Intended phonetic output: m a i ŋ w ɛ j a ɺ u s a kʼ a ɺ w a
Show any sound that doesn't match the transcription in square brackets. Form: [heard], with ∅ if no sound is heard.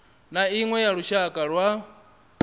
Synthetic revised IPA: [n] a i ŋ w ɛ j a ɺ u [ʃ] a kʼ a ɺ w a